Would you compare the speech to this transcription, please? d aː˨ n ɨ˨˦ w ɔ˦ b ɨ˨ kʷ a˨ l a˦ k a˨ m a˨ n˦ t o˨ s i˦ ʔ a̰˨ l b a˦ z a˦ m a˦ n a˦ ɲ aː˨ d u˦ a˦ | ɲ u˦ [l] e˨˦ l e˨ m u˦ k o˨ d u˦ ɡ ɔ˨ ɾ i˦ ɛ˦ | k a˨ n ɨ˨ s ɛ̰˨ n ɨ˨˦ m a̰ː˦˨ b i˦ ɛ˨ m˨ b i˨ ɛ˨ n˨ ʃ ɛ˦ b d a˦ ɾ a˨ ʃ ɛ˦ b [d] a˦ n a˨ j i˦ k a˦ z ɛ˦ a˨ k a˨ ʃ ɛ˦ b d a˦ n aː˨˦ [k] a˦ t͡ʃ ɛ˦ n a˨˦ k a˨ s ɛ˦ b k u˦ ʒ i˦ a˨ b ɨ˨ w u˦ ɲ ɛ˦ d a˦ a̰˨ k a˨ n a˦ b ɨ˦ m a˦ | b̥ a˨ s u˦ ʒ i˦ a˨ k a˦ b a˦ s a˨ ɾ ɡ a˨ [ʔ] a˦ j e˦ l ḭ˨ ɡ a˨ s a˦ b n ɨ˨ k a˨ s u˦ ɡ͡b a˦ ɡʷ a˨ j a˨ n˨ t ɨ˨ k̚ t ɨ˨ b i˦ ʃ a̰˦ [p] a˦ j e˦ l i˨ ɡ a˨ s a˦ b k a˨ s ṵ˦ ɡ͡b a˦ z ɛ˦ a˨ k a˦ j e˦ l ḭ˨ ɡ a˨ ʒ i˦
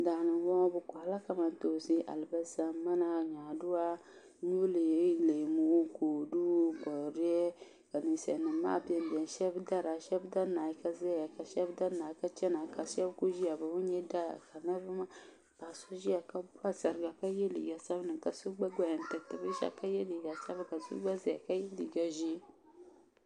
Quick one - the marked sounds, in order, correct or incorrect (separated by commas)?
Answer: correct, correct, correct, incorrect, incorrect